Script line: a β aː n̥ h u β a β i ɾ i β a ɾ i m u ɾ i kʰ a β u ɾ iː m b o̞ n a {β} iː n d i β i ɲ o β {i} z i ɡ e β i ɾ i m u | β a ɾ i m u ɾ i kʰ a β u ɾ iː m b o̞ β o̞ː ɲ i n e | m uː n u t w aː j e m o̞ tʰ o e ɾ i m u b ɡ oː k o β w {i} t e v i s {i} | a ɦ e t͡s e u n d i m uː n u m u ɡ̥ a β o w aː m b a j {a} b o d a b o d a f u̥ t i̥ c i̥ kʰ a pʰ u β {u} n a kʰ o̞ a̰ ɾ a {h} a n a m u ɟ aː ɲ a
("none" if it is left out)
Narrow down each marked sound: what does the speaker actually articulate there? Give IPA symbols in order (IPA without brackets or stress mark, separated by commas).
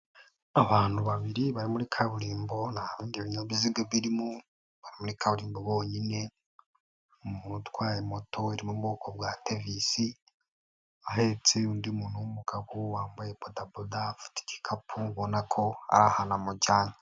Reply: β, i, a, i, e, o, h